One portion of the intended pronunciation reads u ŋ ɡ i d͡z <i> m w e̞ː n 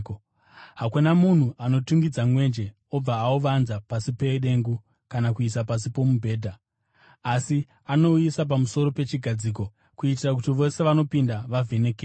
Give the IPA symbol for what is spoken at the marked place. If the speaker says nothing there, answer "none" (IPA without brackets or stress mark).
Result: a